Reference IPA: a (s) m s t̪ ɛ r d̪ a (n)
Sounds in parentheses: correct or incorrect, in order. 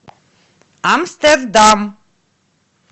incorrect: none, incorrect: m

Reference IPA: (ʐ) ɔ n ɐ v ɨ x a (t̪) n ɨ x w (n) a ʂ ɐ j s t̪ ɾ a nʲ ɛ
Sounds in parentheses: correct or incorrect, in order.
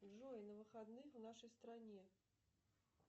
correct, incorrect: d̪, correct

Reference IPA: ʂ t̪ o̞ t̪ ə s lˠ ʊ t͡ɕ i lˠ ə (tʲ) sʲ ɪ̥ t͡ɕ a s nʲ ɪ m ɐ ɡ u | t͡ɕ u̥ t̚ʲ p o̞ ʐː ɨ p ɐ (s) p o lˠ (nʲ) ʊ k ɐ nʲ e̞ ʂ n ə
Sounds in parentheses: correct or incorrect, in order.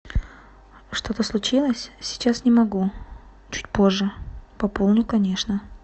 incorrect: sʲ, incorrect: none, correct

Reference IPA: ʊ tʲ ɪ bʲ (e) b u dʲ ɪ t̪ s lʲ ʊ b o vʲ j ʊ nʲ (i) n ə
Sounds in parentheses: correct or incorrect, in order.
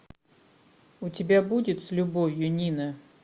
incorrect: a, correct

